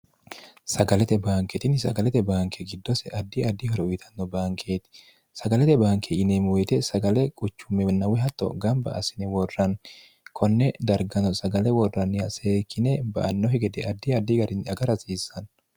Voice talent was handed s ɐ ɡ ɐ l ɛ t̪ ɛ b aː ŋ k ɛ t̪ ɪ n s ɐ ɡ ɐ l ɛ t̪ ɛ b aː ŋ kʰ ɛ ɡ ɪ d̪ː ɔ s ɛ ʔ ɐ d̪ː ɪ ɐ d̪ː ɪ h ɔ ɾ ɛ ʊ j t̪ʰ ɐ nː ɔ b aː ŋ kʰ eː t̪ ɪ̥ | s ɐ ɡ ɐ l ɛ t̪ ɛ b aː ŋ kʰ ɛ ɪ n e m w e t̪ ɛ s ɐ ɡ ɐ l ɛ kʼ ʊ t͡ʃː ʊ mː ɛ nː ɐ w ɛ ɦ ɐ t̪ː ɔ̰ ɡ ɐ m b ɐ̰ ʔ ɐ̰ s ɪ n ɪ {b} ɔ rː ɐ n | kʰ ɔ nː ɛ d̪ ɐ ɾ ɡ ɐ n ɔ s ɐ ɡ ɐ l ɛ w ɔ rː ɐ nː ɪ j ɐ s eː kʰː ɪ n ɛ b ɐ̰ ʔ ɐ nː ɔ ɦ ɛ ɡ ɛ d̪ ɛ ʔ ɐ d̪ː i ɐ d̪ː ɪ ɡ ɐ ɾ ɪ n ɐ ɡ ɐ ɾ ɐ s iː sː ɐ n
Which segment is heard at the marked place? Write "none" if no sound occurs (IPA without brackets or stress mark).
w